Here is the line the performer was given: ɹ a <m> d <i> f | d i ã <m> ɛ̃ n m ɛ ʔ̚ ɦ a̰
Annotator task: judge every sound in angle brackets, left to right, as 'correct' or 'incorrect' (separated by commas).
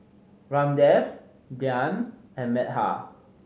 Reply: correct, incorrect, incorrect